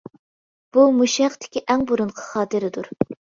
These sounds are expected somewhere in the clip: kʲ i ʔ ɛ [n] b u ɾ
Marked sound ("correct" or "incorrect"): incorrect